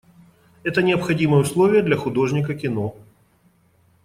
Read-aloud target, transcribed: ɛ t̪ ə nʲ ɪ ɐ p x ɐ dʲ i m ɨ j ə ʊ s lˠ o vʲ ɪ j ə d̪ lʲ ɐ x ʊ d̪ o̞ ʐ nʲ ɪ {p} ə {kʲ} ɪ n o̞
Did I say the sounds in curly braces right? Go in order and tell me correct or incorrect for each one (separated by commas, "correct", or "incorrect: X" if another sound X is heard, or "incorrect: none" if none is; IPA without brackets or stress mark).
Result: incorrect: k, correct